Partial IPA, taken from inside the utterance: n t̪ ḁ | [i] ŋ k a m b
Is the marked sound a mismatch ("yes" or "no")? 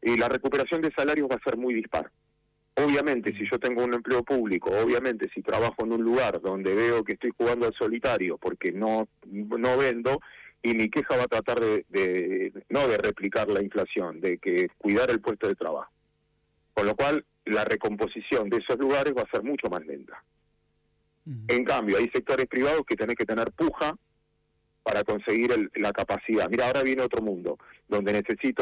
yes